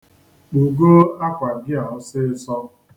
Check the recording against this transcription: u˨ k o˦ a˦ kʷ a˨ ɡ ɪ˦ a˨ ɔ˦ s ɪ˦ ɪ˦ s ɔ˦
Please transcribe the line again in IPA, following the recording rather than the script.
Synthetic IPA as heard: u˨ ɡ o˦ a˦ kʷ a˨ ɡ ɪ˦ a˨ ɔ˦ s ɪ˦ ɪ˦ s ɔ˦